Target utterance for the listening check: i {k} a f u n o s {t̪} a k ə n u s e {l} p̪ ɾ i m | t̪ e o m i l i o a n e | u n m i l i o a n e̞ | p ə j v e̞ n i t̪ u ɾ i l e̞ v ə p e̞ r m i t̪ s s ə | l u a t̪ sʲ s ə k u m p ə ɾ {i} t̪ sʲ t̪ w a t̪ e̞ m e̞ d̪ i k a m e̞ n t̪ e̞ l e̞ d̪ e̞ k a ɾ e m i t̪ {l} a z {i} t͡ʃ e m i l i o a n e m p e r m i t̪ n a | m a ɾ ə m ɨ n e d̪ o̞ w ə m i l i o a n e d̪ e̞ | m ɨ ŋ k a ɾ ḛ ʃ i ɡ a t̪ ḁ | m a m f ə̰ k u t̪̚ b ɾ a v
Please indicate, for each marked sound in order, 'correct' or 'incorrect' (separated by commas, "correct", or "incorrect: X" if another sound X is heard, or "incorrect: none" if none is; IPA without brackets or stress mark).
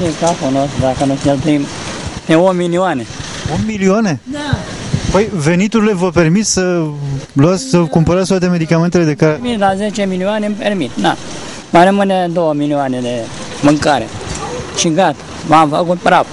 correct, incorrect: d̪, correct, incorrect: a, correct, incorrect: e